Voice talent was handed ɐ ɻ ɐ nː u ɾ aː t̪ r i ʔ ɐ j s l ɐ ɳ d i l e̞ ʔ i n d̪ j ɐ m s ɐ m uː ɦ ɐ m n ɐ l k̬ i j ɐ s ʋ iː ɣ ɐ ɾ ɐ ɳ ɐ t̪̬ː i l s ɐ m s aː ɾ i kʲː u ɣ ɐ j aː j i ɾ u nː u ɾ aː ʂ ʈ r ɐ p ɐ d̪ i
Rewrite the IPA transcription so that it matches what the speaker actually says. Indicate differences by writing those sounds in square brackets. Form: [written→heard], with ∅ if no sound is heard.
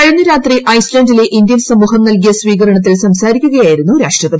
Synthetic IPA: ɐ ɻ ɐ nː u ɾ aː t̪ r i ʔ ɐ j s l ɐ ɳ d i l e̞ ʔ i n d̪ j ɐ [m→n] s ɐ m uː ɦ ɐ m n ɐ l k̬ i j ɐ s ʋ iː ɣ ɐ ɾ ɐ ɳ ɐ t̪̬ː i l s ɐ m s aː ɾ i kʲː u ɣ ɐ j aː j i ɾ u nː u ɾ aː ʂ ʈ r ɐ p ɐ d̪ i